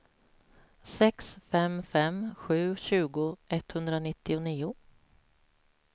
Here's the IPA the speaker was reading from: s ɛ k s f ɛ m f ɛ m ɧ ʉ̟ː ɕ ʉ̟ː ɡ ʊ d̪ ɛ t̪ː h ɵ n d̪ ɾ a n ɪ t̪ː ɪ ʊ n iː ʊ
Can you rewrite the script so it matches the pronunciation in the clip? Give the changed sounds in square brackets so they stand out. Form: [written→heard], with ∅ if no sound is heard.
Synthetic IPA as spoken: s ɛ k s f ɛ m f ɛ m ɧ ʉ̟ː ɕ ʉ̟ː ɡ ʊ [d̪→∅] ɛ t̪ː h ɵ n d̪ ɾ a n ɪ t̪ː ɪ ʊ n iː ʊ

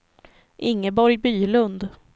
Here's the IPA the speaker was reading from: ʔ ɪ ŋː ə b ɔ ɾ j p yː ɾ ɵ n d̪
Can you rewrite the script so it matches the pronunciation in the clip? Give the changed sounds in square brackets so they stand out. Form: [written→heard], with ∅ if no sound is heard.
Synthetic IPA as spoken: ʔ ɪ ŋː ə b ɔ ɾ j [p→b] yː [ɾ→l] ɵ n d̪

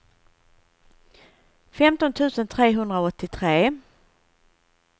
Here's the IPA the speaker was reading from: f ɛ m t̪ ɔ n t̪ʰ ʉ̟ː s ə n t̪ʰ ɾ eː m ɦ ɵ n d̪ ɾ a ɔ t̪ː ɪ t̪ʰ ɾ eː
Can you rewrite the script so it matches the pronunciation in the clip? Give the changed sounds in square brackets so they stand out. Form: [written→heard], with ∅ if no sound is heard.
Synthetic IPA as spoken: f ɛ m t̪ ɔ n t̪ʰ ʉ̟ː s ə n t̪ʰ ɾ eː [m→∅] ɦ ɵ n d̪ ɾ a ɔ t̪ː ɪ t̪ʰ ɾ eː

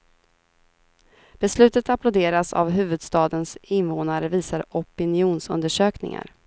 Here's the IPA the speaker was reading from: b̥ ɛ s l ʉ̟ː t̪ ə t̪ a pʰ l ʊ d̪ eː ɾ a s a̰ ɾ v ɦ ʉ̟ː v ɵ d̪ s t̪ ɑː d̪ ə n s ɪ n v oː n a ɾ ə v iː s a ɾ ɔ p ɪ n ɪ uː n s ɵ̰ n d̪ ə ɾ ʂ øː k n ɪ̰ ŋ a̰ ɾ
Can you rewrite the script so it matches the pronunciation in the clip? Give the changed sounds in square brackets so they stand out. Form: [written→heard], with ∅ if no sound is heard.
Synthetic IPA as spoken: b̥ ɛ s l ʉ̟ː t̪ ə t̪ a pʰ l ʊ d̪ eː ɾ a s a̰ [ɾ→∅] v ɦ ʉ̟ː v ɵ d̪ s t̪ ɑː d̪ ə n s ɪ n v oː n a ɾ ə v iː s a ɾ ɔ p ɪ n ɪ uː n s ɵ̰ n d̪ ə [ɾ→∅] ʂ øː k n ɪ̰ ŋ a̰ ɾ

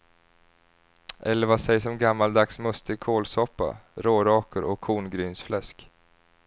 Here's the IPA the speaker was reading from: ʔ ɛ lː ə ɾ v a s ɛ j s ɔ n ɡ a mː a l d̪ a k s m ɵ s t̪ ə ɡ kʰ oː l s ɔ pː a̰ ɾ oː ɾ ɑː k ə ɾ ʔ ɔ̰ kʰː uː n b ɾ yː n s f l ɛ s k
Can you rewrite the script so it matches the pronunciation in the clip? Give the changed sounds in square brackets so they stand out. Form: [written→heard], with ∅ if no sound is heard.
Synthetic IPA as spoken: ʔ ɛ lː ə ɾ v a s ɛ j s ɔ [n→m] ɡ a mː a l d̪ a k s m ɵ s t̪ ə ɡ kʰ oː l s ɔ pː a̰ ɾ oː ɾ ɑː k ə ɾ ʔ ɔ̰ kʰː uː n [b→ɡ] ɾ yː n s f l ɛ s k

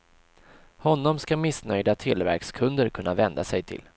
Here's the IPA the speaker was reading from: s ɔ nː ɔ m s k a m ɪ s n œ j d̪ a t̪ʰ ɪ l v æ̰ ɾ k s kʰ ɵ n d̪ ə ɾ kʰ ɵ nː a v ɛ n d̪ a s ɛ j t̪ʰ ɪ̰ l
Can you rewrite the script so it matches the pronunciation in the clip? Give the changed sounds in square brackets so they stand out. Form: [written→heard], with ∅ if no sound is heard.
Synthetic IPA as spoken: [s→h] ɔ nː ɔ m s k a m ɪ s n œ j d̪ a t̪ʰ ɪ l v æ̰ ɾ k s kʰ ɵ n d̪ ə ɾ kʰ ɵ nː a v ɛ n d̪ a s ɛ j t̪ʰ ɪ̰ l

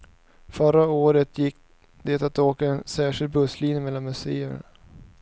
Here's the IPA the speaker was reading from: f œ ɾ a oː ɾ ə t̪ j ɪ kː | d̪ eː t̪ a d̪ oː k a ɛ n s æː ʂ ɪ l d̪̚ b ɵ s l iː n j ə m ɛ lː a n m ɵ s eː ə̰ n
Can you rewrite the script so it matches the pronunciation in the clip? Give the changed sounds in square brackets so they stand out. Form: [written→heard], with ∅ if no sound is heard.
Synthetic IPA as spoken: f œ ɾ a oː ɾ ə t̪ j ɪ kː | d̪ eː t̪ a [d̪→t̪] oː k a ɛ n s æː ʂ ɪ l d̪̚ b ɵ s l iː n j ə m ɛ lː a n m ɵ s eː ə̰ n

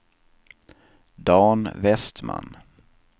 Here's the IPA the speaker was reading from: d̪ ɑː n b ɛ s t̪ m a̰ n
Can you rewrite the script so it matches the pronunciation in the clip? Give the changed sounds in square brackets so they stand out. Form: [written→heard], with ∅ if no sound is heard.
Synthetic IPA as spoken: d̪ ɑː n [b→v] ɛ s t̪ m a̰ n

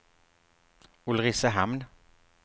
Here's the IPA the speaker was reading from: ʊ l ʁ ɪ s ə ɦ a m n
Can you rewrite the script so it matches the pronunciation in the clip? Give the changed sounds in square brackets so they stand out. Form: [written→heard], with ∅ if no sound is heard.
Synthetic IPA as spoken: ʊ l ʁ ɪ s ə ɦ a m n

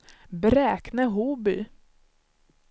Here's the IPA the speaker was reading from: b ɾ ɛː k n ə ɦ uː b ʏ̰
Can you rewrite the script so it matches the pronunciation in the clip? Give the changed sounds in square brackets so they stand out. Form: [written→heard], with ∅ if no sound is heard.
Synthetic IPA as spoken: b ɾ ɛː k n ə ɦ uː b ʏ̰

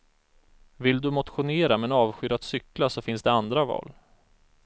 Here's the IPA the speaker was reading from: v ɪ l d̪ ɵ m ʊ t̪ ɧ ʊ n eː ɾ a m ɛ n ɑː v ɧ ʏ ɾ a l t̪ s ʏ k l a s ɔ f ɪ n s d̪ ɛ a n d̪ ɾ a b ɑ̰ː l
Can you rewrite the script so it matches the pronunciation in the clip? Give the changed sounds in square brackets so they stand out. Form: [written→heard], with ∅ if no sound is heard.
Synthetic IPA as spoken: v ɪ l d̪ ɵ m ʊ t̪ ɧ ʊ n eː ɾ a m ɛ n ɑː v ɧ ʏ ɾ a [l→∅] t̪ s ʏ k l a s ɔ f ɪ n s d̪ ɛ a n d̪ ɾ a [b→v] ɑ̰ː l

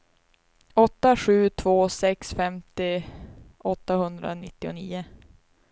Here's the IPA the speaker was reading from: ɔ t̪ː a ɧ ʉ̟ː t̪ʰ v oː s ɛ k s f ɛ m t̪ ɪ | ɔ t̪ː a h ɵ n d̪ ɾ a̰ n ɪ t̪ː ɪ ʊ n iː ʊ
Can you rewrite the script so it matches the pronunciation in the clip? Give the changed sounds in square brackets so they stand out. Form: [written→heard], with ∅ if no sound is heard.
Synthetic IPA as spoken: ɔ t̪ː a ɧ ʉ̟ː t̪ʰ v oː s ɛ k s f ɛ m t̪ ɪ | ɔ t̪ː a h ɵ n d̪ ɾ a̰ n ɪ t̪ː ɪ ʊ n iː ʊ

